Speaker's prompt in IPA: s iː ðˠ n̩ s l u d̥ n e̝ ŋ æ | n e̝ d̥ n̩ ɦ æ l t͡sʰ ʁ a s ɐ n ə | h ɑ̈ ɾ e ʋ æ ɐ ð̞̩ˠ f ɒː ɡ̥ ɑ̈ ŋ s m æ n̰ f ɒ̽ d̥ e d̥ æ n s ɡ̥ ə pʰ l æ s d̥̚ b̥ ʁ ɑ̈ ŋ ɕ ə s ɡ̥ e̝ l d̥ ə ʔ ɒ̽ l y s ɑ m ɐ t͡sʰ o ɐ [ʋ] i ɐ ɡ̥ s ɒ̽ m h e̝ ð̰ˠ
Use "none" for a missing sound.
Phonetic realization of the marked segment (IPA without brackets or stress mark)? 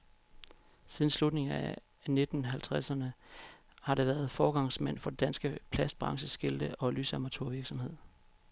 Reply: ʋ